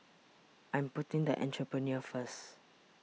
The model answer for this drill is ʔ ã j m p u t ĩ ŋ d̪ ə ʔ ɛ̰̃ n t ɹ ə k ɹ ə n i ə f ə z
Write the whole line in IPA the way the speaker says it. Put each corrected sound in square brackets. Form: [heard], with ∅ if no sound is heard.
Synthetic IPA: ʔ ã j m p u t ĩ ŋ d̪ ə ʔ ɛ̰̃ n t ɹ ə [p] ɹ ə n i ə f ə [s]